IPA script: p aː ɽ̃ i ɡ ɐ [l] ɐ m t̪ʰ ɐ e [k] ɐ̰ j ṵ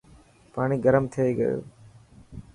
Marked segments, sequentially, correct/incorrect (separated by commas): incorrect, incorrect